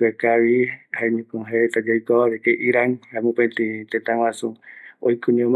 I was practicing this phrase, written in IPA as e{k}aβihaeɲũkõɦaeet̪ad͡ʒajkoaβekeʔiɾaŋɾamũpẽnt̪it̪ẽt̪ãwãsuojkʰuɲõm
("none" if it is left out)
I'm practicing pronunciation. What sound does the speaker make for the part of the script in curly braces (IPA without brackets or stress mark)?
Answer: k